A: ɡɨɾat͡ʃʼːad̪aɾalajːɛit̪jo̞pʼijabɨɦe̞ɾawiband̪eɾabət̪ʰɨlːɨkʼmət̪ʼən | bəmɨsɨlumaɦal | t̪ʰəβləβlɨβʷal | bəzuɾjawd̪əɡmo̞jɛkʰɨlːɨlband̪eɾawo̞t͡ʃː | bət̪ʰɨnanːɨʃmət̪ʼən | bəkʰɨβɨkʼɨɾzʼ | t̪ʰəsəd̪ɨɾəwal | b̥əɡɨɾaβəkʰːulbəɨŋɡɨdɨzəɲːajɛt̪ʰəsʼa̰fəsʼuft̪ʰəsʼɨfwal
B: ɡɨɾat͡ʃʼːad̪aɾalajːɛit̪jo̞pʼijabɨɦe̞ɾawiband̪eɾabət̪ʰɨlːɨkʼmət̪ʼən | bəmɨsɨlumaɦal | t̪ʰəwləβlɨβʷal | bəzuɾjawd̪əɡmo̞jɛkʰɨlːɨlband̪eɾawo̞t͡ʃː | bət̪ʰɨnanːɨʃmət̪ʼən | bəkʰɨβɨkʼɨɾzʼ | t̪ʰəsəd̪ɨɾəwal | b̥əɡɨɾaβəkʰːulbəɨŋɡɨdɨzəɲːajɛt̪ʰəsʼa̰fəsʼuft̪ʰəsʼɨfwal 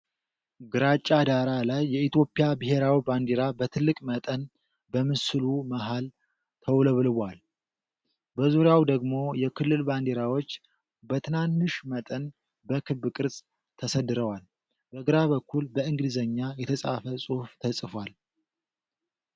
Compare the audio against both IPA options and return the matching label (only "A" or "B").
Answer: B